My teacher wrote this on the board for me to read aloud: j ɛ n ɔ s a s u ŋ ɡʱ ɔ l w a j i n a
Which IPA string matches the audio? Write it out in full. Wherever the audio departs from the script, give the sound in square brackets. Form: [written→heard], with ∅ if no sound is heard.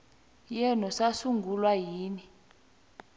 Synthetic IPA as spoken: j ɛ n ɔ s a s u ŋ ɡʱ [ɔ→u] l w a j [i→iː] n [a→i]